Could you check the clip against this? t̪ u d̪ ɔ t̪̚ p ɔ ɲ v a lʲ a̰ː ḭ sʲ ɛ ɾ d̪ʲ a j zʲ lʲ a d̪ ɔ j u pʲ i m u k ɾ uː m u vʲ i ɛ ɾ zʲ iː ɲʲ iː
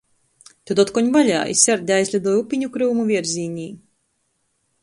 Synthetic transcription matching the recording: t̪ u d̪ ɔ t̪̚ k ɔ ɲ v a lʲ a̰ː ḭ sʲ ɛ ɾ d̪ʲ a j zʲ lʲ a d̪ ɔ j u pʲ i ɲ u k ɾ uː m u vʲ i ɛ ɾ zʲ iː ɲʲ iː